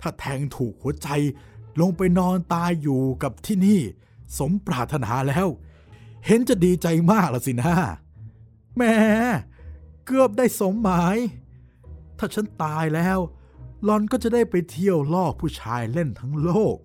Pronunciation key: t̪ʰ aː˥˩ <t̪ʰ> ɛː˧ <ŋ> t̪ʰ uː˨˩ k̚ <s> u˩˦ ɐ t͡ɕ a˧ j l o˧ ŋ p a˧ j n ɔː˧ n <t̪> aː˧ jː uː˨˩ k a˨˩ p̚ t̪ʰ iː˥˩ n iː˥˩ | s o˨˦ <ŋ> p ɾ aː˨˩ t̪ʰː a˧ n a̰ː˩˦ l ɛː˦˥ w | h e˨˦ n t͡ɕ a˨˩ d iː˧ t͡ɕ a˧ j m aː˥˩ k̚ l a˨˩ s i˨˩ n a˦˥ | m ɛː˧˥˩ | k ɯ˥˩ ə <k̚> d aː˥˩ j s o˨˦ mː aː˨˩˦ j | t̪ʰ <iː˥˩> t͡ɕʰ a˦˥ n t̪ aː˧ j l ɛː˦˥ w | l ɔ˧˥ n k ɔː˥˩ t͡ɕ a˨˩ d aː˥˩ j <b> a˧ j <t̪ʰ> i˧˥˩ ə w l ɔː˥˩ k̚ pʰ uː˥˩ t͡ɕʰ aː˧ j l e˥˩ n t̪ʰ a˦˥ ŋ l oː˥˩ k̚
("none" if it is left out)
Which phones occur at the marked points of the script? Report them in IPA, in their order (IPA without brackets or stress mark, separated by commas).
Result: t̪ʰ, ŋ, h, t̪, m, p̚, aː˥˩, p, t̪ʰ